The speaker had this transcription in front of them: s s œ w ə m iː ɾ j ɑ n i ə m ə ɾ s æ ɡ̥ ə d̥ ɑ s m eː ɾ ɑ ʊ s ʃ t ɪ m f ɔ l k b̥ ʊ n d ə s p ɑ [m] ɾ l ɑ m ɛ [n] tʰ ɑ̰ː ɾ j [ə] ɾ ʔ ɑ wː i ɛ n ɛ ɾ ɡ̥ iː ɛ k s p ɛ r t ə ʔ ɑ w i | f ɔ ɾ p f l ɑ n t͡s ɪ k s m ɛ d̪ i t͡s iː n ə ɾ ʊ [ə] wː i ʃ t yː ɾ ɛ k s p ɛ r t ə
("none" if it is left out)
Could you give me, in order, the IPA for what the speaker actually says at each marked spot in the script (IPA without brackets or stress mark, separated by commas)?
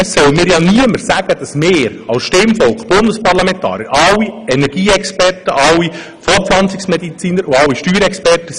none, n, ə, ɑ